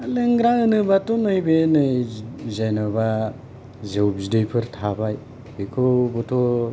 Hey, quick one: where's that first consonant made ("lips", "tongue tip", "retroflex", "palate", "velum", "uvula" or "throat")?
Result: tongue tip